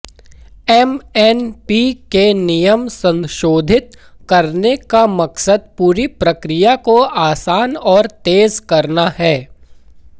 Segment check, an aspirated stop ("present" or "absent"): absent